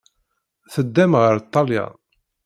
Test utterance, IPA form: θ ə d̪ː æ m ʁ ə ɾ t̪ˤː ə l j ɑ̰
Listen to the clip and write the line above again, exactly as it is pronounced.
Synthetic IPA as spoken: θ ə d̪ː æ m ʁ ə ɾ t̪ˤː ɑ l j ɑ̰